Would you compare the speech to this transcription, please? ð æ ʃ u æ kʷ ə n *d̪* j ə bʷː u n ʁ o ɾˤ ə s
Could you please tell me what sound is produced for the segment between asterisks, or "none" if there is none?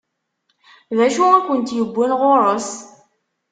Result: t̪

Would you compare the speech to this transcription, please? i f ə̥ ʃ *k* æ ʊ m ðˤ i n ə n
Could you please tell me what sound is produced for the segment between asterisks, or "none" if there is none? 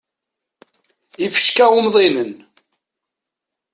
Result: k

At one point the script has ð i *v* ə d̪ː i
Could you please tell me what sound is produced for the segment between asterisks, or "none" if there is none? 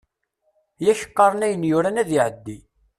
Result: ʕ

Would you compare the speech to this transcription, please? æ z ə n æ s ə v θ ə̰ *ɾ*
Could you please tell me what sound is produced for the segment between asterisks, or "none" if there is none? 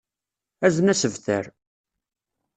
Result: ɾ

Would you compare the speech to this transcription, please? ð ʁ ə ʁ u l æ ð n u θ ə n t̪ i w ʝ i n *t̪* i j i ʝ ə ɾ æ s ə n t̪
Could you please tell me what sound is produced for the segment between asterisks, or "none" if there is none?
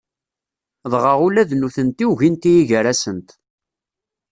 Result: t̪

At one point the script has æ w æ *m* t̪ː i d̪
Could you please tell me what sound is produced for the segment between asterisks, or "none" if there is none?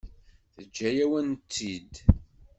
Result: n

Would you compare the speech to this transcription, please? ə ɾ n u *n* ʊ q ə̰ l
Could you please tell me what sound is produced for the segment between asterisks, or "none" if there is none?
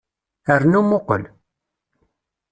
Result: m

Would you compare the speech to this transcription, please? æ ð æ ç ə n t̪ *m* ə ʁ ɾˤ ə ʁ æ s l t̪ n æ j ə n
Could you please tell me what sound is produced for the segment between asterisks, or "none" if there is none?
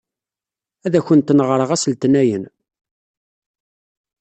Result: n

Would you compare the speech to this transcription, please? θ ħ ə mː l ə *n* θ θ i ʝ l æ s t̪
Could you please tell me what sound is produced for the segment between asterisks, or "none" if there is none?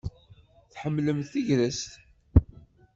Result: m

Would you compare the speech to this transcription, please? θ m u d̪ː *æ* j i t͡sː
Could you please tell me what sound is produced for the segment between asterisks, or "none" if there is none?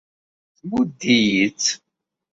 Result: i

